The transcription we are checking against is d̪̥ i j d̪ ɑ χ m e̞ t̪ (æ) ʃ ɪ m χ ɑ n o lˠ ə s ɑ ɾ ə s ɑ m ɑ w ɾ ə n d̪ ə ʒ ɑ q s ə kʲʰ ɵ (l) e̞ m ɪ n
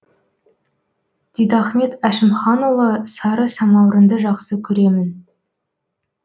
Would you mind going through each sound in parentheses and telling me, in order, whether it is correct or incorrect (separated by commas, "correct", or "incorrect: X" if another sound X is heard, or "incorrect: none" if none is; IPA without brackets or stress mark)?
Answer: correct, incorrect: ɾ